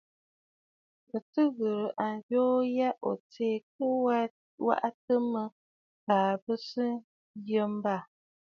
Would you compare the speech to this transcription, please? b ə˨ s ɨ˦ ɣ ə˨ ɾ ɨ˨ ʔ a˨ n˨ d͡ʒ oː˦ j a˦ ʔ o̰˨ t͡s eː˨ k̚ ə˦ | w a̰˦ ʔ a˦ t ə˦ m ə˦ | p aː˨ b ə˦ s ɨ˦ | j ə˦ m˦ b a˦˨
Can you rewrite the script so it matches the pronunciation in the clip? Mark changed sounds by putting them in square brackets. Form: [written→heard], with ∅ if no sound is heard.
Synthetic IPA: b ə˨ [s→t] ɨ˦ ɣ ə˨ ɾ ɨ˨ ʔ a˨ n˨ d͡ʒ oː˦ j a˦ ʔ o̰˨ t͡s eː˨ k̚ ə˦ | w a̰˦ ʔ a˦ t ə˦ m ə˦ | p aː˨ b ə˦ s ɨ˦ | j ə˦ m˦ b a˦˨